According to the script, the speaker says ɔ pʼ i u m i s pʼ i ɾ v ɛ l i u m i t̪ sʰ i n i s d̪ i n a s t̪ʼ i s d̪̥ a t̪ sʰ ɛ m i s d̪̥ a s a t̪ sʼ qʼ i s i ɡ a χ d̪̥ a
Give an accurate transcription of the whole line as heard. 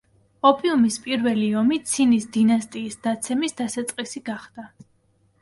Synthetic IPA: ɔ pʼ i u m i s pʼ i ɾ v ɛ l i ɔ m i t̪ sʰ i n i s d̪ i n a s t̪ʼ iː s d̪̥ a t̪ sʰ ɛ m i s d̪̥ a s a t̪ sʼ qʼ i s i ɡ a χ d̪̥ a